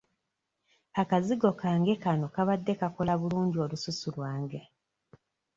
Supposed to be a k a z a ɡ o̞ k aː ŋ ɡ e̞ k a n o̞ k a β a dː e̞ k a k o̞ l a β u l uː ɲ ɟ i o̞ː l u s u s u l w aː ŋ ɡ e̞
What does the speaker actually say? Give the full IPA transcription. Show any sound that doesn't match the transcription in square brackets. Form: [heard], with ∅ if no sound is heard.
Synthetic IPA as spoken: a k a z [i] ɡ o̞ k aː ŋ ɡ e̞ k a n o̞ k a β a dː e̞ k a k o̞ l a β u l uː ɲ ɟ i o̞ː l u s u s u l w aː ŋ ɡ e̞